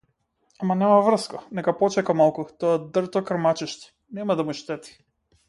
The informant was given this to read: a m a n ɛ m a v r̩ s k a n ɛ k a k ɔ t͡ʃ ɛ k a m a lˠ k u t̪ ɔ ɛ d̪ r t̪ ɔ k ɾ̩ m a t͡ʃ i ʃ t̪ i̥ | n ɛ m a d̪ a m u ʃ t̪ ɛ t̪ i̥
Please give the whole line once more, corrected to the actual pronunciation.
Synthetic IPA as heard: a m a n ɛ m a v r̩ s k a n ɛ k a p ɔ t͡ʃ ɛ k a m a lˠ k u t̪ ɔ a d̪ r t̪ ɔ k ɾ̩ m a t͡ʃ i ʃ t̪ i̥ | n ɛ m a d̪ a m u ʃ t̪ ɛ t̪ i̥